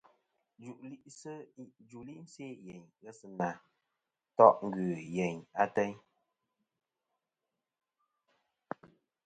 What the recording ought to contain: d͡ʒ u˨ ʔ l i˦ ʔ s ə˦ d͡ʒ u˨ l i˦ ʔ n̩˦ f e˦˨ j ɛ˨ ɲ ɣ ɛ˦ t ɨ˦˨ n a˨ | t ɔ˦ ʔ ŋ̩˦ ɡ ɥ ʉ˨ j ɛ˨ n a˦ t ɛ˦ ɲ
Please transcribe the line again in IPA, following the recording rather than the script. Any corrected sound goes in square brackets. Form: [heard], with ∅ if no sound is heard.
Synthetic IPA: d͡ʒ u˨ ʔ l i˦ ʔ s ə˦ d͡ʒ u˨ l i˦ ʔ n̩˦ [s] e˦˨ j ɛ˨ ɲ ɣ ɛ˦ [s] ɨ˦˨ n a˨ | t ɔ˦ ʔ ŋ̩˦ ɡ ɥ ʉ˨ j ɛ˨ [ɲ] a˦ t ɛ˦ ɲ